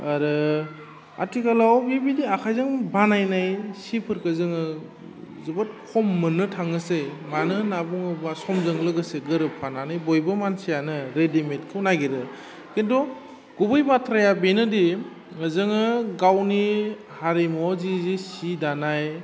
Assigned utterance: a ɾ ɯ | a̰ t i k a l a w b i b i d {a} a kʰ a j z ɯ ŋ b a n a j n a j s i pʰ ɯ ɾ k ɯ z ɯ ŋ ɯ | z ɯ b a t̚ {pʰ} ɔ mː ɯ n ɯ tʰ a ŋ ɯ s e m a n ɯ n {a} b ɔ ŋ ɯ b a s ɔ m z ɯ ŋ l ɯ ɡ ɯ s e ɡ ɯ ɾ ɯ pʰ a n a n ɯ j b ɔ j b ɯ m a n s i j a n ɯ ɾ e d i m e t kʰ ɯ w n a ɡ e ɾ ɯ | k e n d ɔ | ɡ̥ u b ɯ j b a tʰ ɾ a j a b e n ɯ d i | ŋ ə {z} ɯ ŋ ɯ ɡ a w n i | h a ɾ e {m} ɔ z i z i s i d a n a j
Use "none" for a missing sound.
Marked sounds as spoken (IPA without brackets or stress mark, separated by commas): i, kʰ, a, z, m